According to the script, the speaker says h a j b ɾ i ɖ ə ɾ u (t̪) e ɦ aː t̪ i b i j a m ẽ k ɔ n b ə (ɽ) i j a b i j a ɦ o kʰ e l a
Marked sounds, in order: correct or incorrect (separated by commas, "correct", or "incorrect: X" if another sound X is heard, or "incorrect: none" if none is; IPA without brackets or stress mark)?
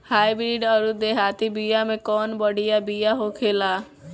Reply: incorrect: d̪, correct